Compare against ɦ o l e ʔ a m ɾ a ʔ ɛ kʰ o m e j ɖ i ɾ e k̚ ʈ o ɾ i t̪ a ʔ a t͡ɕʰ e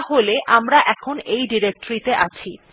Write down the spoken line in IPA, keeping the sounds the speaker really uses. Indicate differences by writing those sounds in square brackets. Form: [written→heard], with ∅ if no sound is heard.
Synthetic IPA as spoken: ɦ o l e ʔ a m ɾ a ʔ ɛ kʰ o [m→n] e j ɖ i ɾ e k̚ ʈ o ɾ i t̪ [a→e] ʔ a t͡ɕʰ [e→i]